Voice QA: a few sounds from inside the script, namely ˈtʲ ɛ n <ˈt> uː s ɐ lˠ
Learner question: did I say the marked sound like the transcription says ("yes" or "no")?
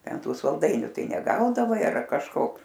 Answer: yes